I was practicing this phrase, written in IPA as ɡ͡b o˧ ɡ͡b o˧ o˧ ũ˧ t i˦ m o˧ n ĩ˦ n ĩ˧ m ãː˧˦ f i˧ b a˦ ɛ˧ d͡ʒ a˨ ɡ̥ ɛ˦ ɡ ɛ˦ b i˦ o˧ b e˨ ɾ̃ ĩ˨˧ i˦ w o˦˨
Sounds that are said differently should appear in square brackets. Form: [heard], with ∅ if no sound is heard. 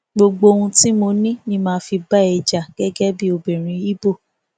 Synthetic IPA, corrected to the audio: ɡ͡b o˧ ɡ͡b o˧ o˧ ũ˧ t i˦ m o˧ n ĩ˦ n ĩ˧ m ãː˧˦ f i˧ b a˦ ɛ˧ d͡ʒ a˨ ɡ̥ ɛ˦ ɡ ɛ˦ b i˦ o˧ b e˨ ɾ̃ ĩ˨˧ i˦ [b] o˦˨